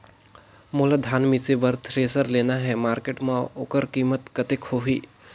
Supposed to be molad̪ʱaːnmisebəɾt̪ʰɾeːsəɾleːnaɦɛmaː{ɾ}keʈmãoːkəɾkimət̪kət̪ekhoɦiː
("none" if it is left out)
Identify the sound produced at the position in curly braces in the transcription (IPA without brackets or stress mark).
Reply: ɾ